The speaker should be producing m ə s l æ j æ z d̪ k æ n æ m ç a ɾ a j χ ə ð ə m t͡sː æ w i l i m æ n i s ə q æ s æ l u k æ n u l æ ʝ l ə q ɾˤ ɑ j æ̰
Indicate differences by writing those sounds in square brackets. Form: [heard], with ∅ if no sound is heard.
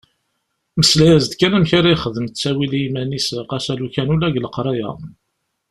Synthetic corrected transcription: m ə s l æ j æ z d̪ k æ n æ m ç a ɾ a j χ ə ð ə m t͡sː æ w i l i m æ n i s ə q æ s æ l u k æ n u l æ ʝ l ə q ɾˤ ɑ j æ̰